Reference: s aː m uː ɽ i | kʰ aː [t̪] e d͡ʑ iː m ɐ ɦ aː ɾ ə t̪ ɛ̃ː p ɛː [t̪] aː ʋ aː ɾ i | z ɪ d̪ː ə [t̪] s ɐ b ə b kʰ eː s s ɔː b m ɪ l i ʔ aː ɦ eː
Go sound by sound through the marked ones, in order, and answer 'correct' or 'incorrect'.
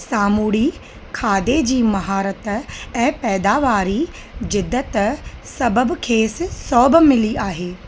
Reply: incorrect, incorrect, correct

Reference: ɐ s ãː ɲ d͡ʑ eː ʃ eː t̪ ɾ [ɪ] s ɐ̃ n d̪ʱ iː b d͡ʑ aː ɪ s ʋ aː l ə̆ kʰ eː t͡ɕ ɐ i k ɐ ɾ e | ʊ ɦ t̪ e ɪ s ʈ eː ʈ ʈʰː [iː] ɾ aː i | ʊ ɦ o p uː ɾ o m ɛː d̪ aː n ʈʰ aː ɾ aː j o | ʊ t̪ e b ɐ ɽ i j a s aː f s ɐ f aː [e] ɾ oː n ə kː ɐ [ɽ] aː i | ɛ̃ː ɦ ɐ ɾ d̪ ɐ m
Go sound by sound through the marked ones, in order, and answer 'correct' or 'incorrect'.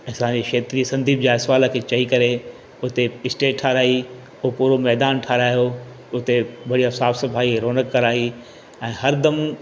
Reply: incorrect, incorrect, incorrect, incorrect

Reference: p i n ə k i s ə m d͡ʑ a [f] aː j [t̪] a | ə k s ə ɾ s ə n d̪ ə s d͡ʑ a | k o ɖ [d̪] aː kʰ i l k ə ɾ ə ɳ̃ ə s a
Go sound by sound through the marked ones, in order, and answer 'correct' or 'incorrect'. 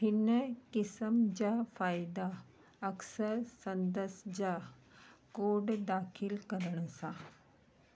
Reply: correct, incorrect, correct

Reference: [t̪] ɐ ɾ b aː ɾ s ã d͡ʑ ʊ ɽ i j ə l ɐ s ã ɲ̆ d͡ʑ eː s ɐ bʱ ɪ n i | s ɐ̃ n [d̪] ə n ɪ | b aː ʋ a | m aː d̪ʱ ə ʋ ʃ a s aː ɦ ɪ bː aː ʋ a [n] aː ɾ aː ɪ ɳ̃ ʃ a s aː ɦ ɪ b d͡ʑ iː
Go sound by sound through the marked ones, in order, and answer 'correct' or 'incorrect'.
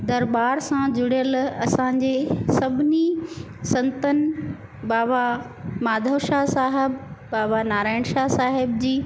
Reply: incorrect, incorrect, correct

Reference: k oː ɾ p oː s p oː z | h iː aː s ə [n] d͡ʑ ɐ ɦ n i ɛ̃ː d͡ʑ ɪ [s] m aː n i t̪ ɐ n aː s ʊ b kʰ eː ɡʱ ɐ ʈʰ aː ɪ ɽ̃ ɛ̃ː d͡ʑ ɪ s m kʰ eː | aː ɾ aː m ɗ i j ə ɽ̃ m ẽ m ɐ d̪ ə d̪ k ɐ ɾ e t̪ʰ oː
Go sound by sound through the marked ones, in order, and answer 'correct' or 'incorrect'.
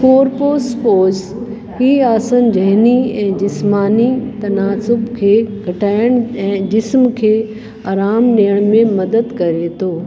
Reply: correct, correct

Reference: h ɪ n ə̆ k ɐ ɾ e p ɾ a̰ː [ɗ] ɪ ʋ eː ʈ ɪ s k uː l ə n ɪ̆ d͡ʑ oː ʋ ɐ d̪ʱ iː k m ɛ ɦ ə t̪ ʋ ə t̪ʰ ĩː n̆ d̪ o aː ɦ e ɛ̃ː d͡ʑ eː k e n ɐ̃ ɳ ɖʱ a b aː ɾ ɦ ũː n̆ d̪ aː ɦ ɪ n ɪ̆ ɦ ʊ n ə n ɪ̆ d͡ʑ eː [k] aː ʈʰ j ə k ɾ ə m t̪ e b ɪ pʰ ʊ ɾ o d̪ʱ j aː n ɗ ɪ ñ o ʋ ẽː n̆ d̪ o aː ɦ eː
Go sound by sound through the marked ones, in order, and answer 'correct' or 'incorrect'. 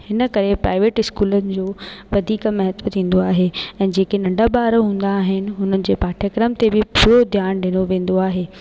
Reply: incorrect, incorrect

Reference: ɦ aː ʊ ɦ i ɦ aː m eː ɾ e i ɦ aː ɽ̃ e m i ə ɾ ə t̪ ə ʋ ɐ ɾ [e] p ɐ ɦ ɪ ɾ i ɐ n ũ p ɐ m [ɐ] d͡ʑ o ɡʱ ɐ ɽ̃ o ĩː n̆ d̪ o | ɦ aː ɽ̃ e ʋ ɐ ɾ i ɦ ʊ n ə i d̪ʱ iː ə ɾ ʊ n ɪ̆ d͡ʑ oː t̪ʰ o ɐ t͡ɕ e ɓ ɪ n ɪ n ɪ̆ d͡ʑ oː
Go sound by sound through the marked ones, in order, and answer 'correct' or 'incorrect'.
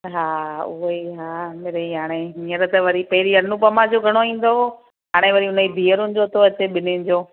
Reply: incorrect, incorrect

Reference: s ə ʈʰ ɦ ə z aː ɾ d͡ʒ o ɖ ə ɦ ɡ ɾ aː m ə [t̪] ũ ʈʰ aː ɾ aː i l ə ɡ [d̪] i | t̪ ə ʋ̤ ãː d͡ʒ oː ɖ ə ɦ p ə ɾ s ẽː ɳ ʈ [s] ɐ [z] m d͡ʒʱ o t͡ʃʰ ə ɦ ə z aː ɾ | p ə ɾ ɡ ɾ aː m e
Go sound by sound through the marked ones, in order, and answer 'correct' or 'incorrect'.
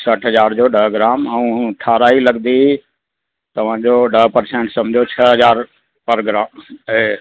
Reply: incorrect, correct, correct, incorrect

